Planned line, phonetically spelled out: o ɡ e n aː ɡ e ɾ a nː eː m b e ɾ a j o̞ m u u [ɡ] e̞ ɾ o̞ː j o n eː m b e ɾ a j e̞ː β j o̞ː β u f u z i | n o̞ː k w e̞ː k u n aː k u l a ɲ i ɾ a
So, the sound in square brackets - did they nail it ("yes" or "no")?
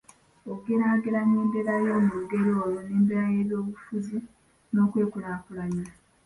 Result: yes